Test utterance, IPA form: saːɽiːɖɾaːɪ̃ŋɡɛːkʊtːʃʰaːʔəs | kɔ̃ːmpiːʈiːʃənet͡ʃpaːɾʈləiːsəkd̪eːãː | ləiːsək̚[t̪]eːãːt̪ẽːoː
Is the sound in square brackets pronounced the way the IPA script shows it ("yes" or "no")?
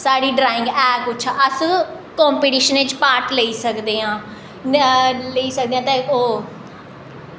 no